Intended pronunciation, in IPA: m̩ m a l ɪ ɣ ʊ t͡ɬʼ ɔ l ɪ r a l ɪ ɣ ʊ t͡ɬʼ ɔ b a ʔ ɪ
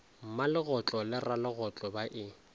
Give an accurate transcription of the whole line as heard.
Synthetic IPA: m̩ m a l ɪ ɣ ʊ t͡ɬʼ ɔ l ɪ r a l ɪ ɣ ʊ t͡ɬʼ ɔ b a ʔ ɪ